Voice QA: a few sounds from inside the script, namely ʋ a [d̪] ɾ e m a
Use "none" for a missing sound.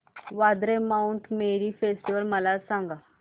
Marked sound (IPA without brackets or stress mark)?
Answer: d̪